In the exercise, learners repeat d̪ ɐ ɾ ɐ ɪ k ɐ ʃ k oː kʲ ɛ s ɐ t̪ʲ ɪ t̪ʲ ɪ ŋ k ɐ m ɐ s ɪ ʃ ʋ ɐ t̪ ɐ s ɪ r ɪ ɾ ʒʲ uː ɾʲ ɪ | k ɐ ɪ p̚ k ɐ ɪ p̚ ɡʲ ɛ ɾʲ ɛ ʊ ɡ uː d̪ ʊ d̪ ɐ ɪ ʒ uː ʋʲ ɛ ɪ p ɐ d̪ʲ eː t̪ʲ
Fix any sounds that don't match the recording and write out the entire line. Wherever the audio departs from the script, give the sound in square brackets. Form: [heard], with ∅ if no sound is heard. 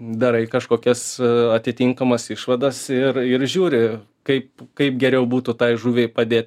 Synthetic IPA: d̪ ɐ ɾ ɐ ɪ k ɐ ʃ k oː kʲ ɛ s ɐ t̪ʲ ɪ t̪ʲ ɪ ŋ k ɐ m ɐ s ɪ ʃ ʋ ɐ [d̪] ɐ s ɪ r ɪ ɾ ʒʲ uː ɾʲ ɪ | k ɐ ɪ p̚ k ɐ ɪ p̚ ɡʲ ɛ ɾʲ ɛ ʊ [b] uː [t̪] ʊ [t̪] ɐ ɪ ʒ uː ʋʲ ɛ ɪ p ɐ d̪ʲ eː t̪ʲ